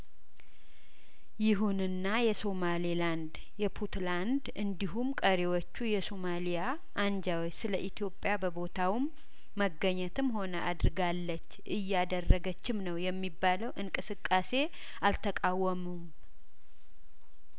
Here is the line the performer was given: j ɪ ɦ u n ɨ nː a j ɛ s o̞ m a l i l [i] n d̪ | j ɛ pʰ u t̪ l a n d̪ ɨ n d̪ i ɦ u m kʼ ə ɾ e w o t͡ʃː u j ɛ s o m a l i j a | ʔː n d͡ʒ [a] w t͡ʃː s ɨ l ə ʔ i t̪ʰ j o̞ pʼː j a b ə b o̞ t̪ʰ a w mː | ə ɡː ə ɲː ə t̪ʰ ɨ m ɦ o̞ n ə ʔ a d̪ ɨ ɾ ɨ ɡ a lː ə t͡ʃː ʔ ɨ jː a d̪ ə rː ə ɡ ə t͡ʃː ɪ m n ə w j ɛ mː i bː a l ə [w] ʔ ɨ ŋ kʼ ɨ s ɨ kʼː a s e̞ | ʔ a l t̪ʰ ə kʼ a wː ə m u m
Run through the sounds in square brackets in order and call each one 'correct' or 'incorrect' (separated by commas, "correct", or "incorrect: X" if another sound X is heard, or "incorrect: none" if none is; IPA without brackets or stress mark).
incorrect: a, correct, correct